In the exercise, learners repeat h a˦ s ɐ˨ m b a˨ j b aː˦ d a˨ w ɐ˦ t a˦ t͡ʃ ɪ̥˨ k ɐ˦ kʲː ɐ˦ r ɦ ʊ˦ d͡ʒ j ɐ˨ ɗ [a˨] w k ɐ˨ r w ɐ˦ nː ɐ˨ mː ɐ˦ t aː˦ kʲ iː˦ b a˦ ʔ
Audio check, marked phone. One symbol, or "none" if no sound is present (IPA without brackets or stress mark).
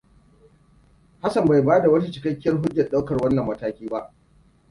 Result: a˦